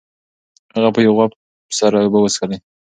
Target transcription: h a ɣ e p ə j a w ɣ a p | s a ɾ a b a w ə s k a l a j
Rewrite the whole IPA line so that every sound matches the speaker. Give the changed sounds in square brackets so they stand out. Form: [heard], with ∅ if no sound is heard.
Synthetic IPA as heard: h a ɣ [a] p ə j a w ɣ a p | s a ɾ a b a w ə s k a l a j